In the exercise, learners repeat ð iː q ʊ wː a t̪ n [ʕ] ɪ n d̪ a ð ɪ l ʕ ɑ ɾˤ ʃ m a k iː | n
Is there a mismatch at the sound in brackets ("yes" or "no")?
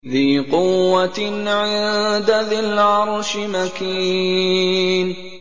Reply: no